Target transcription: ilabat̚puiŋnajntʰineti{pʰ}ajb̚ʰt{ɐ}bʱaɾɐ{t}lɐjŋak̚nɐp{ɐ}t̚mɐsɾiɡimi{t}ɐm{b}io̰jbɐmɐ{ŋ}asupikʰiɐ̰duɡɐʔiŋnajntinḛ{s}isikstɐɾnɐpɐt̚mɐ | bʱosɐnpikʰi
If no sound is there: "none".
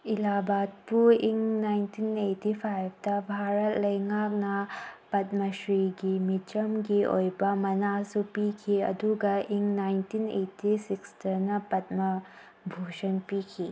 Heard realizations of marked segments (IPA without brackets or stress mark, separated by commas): pʰ, ɐ, t, ɐ, t͡ʃ, ɡ, n, t